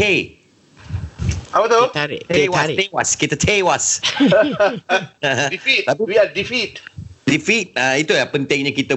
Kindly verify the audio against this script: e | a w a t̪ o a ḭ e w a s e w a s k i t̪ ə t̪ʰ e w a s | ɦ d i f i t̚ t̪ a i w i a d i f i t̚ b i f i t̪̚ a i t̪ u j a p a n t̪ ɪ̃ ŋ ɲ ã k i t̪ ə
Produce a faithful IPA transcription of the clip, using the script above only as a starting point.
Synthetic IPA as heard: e | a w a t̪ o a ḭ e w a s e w a s k i t̪ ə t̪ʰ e w a s | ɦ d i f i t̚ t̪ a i w i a d i f i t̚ d i f i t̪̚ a i t̪ u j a p ə n t̪ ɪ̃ ŋ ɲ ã k i t̪ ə